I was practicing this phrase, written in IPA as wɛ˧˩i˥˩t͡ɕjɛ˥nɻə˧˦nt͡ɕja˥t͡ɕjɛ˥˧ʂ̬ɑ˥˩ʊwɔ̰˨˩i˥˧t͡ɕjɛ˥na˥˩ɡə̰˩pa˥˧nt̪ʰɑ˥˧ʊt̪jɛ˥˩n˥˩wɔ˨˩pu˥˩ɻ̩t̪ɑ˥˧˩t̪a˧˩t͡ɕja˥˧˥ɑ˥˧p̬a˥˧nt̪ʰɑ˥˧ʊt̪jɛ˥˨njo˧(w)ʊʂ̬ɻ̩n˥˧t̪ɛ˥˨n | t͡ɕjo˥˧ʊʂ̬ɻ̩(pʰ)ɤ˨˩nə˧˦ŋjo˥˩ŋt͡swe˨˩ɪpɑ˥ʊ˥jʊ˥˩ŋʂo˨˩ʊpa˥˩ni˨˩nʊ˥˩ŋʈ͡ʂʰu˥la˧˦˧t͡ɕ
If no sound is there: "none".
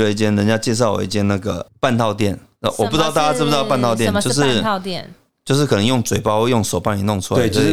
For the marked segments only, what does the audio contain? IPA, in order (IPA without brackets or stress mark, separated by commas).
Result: none, kʰ